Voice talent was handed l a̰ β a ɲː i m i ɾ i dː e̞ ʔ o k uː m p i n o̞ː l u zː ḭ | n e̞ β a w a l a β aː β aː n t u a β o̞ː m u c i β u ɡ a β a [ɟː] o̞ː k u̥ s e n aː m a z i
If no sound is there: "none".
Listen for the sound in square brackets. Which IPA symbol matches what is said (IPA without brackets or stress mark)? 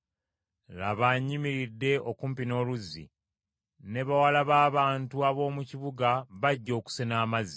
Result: ɟː